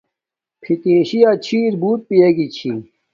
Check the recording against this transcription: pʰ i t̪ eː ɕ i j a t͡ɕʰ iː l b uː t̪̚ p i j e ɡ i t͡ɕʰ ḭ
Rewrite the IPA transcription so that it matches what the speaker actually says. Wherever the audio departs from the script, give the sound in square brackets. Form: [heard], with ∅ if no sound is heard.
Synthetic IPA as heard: pʰ i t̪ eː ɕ i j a t͡ɕʰ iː [ɾ] b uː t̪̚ p i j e ɡ i t͡ɕʰ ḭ